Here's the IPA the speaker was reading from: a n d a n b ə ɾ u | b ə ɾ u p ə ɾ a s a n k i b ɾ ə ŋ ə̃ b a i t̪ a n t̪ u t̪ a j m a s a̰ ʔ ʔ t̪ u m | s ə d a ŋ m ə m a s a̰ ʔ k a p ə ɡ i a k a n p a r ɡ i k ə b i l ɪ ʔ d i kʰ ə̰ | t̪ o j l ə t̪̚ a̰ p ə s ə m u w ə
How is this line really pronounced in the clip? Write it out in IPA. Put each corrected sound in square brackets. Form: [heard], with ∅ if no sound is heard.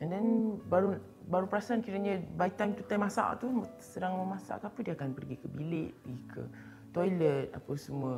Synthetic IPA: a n d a n b [a] ɾ u | b [a] ɾ u p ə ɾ a s a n k i [∅] ɾ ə [ɲ] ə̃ b a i t̪ a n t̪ u t̪ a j m a s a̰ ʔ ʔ t̪ u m | s ə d a ŋ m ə m a s a̰ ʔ k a p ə [d] i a k a n p [ə] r ɡ i k ə b i l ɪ ʔ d i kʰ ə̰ | t̪ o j l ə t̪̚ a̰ p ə s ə m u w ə